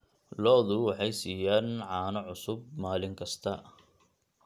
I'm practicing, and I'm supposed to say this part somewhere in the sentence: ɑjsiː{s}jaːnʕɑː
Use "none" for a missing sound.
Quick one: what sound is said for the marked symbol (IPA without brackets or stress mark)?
none